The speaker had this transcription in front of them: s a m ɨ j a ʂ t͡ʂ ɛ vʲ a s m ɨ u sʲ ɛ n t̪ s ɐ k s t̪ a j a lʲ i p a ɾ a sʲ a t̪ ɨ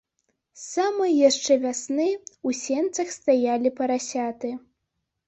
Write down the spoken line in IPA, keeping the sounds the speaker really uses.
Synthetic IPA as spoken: s a m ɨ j a ʂ t͡ʂ ɛ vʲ a s n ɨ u sʲ ɛ n t̪ s ɐ x s t̪ a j a lʲ i p ɐ ɾ a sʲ a t̪ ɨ

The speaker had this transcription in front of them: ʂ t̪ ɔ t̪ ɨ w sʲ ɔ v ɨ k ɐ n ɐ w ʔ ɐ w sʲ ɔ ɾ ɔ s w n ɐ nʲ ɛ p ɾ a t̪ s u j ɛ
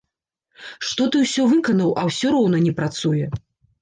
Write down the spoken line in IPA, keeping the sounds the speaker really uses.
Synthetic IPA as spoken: ʂ t̪ ɔ t̪ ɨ w sʲ ɔ v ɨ k ɐ n ɐ w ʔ ɐ w sʲ ɔ ɾ ɔ w n ɐ nʲ ɛ p ɾ a t̪ s u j ɛ

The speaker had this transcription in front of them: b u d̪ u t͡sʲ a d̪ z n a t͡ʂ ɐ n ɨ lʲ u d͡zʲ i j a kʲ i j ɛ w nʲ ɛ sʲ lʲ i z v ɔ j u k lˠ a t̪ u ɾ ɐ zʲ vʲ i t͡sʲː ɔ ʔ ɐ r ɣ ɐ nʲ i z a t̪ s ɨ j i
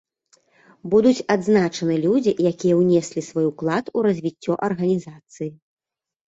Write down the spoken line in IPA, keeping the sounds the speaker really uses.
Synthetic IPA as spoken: b u d̪ u t͡sʲ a d̪ z n a t͡ʂ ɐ n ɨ lʲ u d͡zʲ i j a kʲ i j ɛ w nʲ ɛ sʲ lʲ i s v ɔ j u k lˠ a t̪ u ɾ ɐ zʲ vʲ i t͡sʲː ɔ ʔ ɐ r ɣ ɐ nʲ i z a t̪ s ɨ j i

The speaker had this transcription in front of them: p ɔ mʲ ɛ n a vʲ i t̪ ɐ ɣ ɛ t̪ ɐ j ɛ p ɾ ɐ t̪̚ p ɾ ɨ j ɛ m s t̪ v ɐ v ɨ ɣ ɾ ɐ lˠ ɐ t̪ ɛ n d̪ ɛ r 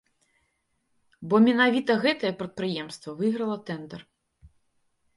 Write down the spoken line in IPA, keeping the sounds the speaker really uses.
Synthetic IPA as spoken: b ɔ mʲ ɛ n a vʲ i t̪ ɐ ɣ ɛ t̪ ɐ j ɛ p ɾ ɐ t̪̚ p ɾ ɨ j ɛ m s t̪ v ɐ v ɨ ɣ ɾ ɐ lˠ ɐ t̪ ɛ n d̪ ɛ r

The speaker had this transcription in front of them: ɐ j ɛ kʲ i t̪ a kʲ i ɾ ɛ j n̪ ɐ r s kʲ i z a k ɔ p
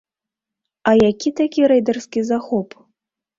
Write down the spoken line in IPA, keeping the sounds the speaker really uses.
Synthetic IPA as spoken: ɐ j a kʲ i t̪ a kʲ i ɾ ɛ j d̪ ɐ r s kʲ i z a x ɔ p

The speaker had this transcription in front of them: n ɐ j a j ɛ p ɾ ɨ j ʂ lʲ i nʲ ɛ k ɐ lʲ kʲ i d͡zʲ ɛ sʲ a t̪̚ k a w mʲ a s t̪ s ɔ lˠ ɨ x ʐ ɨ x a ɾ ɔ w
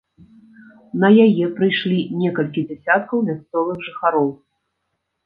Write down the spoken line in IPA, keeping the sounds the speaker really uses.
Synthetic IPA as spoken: n ɐ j a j ɛ p ɾ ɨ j ʂ lʲ i nʲ ɛ k ɐ lʲ kʲ i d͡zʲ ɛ sʲ a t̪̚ k ɐ w mʲ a s t̪ s ɔ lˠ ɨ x ʐ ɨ x a ɾ ɔ w

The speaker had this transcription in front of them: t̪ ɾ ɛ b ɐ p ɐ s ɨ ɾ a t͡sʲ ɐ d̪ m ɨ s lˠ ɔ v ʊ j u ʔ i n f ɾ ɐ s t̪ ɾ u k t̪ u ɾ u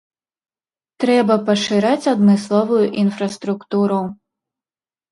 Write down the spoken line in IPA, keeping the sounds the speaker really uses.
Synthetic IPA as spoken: t̪ ɾ ɛ b ɐ p ɐ ʂ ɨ ɾ a t͡sʲ ɐ d̪ m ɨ s lˠ ɔ v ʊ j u ʔ i n f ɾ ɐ s t̪ ɾ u k t̪ u ɾ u

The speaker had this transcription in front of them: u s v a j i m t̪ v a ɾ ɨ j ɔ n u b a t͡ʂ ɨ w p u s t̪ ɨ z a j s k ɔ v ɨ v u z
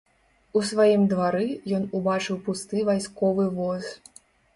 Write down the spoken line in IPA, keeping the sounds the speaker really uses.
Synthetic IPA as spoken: u s v a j i m d̪ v a ɾ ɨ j ɔ n u b a t͡ʂ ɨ w p u s t̪ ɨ v a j s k ɔ v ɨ v ɔ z

